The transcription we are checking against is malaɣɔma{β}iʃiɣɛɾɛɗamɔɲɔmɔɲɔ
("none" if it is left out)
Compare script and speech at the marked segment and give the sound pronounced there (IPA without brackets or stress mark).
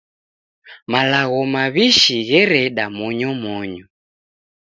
β